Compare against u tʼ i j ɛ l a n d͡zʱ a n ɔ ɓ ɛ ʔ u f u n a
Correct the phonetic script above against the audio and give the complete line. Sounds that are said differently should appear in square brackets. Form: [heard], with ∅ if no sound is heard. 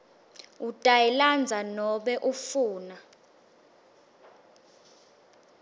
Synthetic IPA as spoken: u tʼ [a] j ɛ l a n d͡zʱ a n ɔ ɓ ɛ ʔ u f [uː] n a